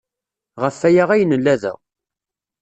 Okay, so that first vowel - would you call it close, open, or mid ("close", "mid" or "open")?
mid